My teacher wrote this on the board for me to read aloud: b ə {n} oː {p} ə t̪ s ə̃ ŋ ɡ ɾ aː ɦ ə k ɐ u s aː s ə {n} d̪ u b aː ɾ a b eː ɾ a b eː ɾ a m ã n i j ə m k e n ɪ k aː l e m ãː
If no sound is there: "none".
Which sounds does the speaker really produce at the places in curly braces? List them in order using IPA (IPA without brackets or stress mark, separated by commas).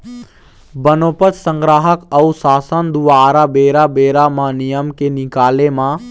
n, p, n